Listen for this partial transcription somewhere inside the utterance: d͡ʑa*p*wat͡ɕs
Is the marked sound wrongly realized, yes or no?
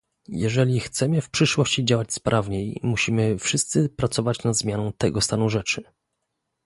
yes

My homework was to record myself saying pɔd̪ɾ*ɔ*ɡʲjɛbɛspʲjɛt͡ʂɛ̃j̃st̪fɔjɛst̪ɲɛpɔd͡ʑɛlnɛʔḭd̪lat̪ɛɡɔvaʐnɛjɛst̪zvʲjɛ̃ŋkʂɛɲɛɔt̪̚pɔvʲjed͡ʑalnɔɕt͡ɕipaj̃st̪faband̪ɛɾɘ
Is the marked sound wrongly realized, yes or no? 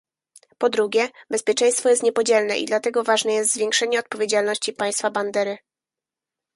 yes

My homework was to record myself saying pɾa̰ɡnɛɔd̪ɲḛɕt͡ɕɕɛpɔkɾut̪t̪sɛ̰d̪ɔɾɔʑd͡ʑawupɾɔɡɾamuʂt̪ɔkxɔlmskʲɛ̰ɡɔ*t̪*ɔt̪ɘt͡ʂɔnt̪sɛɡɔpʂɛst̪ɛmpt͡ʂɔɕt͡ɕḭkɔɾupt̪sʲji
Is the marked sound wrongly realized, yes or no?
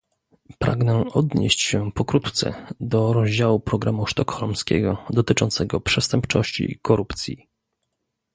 yes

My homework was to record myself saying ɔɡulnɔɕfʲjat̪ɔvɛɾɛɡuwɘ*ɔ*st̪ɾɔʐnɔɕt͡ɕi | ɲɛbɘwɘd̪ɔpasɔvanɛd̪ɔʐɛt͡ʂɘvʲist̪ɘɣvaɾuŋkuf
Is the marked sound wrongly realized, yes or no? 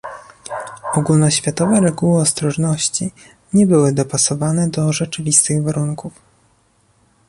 no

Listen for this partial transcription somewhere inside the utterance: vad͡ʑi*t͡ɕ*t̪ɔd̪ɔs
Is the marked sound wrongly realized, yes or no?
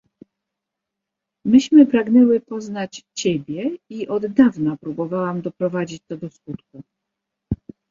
no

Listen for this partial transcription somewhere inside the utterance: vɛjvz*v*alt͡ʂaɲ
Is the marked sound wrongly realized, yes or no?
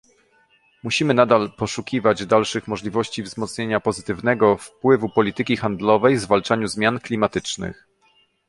no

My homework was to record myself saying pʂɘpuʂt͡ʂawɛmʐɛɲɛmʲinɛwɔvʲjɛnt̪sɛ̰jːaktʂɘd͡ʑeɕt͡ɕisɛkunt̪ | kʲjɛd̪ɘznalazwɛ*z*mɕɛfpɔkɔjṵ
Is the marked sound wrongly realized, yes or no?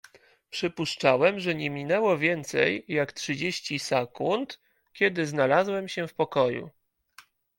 yes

